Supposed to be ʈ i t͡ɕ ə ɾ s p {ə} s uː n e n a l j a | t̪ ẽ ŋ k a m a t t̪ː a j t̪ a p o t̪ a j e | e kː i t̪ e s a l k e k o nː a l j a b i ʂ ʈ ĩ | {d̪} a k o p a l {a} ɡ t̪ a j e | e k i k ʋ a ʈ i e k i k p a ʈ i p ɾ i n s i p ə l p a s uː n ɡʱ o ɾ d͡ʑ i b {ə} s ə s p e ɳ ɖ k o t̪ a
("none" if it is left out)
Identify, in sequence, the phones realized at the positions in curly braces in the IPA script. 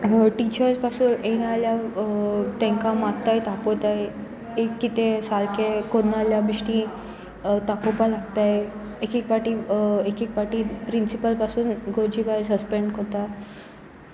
a, t̪, a, a

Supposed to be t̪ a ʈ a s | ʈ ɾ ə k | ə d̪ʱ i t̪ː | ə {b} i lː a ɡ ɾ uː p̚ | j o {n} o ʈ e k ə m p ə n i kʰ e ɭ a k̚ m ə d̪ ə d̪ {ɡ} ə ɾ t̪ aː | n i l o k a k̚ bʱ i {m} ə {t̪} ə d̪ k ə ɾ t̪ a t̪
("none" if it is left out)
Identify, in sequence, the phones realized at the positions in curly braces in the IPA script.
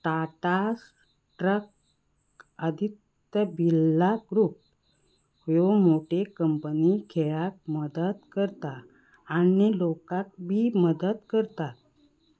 b, m, k, m, d̪

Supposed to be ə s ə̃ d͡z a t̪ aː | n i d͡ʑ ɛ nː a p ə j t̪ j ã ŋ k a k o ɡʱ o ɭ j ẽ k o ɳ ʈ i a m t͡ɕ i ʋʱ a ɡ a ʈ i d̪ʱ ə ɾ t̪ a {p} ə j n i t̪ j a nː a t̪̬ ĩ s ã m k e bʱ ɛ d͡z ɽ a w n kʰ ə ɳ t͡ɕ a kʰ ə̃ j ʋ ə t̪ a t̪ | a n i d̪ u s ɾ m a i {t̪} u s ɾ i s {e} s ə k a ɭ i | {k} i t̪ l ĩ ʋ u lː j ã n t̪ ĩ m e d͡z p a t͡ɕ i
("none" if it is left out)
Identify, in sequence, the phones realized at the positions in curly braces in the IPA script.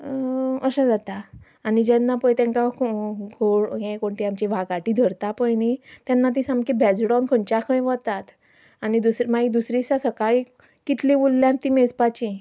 p, d̪, a, k

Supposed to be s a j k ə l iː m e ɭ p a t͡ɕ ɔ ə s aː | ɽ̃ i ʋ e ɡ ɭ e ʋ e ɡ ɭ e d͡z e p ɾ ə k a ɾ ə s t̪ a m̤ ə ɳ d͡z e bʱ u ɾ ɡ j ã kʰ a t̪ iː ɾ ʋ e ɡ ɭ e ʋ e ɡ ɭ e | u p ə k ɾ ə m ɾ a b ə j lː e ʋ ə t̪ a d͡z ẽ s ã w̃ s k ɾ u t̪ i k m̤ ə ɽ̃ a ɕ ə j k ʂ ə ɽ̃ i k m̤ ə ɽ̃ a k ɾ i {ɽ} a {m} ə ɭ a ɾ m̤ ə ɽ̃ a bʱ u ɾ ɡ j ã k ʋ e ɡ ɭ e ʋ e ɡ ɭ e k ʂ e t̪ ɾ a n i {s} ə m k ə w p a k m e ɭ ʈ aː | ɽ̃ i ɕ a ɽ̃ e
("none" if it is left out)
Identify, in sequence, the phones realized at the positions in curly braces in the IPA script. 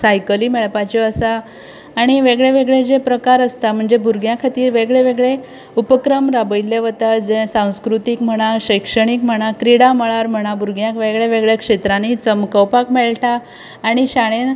ɽ, m, t͡s

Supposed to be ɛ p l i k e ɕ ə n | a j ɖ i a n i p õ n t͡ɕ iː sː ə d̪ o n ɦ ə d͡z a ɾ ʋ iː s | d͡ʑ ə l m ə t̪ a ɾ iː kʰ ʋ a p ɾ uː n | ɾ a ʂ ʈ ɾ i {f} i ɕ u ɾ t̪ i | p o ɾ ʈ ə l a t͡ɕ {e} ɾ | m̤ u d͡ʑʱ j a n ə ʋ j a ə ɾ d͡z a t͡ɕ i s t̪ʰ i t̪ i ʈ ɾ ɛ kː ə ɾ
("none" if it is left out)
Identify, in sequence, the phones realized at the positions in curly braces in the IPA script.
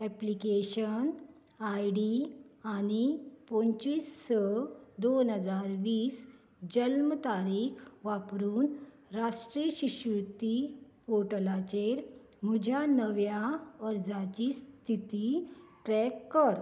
ɕ, e

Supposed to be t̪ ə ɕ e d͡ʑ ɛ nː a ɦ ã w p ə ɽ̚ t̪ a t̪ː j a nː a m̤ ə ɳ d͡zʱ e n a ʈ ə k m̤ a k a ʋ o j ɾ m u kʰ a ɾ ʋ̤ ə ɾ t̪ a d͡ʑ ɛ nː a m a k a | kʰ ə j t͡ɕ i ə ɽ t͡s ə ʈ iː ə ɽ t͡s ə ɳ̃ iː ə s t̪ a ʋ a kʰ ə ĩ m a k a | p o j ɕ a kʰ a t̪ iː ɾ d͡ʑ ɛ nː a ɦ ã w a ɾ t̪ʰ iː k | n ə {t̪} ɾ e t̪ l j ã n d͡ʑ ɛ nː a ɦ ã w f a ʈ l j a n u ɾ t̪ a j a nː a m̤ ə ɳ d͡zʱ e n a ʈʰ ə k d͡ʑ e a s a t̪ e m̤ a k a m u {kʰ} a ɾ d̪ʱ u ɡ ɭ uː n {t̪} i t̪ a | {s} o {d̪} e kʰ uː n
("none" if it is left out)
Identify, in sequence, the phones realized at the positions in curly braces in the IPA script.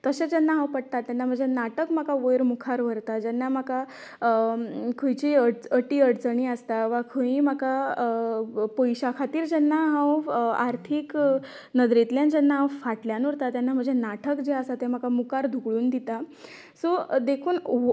d̪, k, d̪, s, d̪

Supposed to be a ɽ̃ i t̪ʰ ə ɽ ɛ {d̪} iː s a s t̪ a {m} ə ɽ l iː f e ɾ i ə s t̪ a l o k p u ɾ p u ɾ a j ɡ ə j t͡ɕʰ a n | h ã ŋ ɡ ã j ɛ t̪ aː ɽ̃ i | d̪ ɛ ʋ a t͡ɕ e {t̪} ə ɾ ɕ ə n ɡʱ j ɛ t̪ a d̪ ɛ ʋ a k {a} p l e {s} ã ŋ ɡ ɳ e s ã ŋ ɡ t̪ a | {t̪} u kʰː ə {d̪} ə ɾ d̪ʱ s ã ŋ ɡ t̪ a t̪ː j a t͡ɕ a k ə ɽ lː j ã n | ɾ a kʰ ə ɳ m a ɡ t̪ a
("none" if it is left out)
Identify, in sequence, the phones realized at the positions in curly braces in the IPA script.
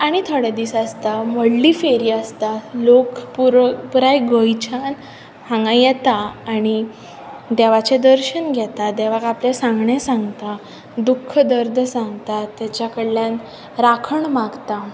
d̪, m, d̪, a, s, d̪, d̪

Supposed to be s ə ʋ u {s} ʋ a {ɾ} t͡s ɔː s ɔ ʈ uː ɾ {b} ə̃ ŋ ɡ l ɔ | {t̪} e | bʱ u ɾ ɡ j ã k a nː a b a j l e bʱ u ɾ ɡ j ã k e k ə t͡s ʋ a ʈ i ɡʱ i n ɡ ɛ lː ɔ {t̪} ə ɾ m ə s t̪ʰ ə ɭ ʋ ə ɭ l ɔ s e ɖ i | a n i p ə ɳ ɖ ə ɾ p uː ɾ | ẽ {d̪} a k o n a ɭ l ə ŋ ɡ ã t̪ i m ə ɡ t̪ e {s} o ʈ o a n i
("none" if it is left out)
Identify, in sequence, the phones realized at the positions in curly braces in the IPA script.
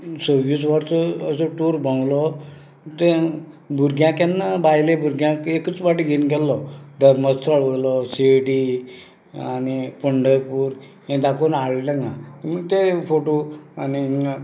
s, ɾ, b, t̪, d̪, d̪, f

